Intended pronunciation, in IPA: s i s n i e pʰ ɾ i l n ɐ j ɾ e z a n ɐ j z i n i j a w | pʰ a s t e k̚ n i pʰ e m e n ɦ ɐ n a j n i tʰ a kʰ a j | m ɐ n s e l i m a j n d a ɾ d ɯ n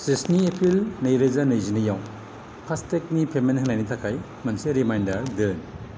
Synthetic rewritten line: s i s n i e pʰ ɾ i l n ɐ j ɾ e z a n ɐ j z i n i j a w | pʰ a s t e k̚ n i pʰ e m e n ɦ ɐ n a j n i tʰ a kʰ a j | m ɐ n s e ɾ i m a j n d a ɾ d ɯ n